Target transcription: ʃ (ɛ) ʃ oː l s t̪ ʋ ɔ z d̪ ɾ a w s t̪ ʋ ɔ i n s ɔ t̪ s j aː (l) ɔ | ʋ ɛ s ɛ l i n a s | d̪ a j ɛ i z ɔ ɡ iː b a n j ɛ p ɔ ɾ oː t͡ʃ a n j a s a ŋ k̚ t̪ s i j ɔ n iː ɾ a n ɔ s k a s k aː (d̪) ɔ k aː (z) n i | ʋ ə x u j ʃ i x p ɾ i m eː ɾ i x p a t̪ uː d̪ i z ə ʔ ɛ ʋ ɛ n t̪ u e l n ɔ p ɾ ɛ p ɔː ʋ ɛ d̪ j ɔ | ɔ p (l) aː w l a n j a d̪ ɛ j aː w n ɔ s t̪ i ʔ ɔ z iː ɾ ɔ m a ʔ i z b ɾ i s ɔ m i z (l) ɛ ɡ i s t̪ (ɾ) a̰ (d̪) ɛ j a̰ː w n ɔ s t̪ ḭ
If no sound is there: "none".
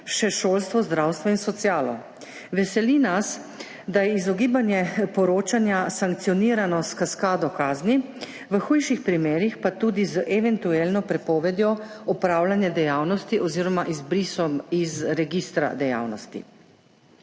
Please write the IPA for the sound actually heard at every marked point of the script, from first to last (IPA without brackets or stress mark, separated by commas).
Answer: ɛ, l, d̪, z, ɾ, ɾ, ɾ, d̪